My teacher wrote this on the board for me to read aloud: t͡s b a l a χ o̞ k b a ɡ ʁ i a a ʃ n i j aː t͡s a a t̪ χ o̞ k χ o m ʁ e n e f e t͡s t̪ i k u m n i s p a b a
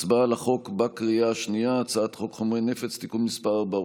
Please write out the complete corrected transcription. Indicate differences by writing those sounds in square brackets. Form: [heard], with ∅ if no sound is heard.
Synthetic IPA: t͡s b a l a χ o̞ k b a [k] ʁ i a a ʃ n i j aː t͡s a a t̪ χ o̞ k χ o m ʁ e n e f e t͡s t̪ i k u m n i s p a b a